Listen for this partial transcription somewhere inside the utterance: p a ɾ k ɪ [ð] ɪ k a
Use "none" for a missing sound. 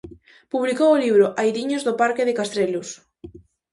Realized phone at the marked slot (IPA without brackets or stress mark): ð